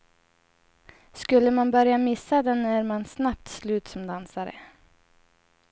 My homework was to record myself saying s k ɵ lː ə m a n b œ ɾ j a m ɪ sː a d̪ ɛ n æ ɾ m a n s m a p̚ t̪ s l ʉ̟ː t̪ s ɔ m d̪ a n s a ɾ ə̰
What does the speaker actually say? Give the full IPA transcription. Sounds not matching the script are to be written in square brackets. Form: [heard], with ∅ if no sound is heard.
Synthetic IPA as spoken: s k ɵ lː ə m a n b œ ɾ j a m ɪ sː a d̪ ɛ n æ ɾ m a n s [n] a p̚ t̪ s l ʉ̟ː t̪ s ɔ m d̪ a n s a ɾ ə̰